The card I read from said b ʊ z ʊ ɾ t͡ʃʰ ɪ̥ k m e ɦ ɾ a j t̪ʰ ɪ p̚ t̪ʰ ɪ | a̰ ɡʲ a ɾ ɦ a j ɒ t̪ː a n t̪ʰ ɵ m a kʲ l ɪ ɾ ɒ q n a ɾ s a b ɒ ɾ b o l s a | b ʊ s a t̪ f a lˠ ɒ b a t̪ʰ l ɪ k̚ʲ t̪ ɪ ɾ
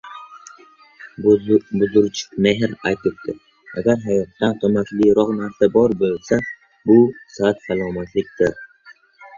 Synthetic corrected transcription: b ʊ z ʊ ɾ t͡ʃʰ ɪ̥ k m e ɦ ɾ a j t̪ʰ ɪ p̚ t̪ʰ ɪ | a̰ ɡʲ a ɾ ɦ a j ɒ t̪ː a n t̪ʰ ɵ m a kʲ l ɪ ɾ ɒ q n a ɾ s a b ɒ ɾ b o l s a | b ʊ s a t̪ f a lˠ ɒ m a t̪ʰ l ɪ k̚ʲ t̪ ɪ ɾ

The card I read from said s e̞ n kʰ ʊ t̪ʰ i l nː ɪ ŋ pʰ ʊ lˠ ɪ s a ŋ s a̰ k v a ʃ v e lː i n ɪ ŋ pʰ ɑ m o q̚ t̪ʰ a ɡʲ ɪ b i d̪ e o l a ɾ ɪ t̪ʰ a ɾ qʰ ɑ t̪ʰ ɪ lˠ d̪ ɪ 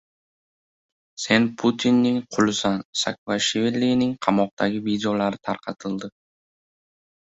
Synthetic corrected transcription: s e̞ n pʰ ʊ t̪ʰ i nː ɪ ŋ qʰ ʊ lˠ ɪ s a n s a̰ k v a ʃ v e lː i n ɪ ŋ qʰ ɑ m ɒ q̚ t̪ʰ a ɡʲ ɪ v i d̪ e o l a ɾ ɪ t̪ʰ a ɾ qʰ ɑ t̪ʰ ɪ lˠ d̪ ɪ

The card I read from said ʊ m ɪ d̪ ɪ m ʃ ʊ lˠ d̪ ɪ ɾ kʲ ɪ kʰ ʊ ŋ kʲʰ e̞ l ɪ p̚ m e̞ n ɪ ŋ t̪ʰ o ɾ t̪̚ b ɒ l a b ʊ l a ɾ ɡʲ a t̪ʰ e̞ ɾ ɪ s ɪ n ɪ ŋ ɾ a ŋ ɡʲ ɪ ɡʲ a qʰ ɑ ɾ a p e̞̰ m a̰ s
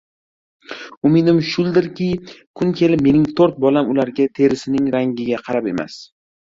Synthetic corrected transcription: ʊ m ɪ d̪ ɪ m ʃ ʊ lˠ d̪ ɪ ɾ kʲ ɪ kʰ ʊ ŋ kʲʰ e̞ l ɪ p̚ m e̞ n ɪ ŋ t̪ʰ o ɾ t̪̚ b ɒ l a m ʊ l a ɾ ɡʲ a t̪ʰ e̞ ɾ ɪ s ɪ n ɪ ŋ ɾ a ŋ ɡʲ ɪ ɡʲ a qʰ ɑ ɾ a p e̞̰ m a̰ s

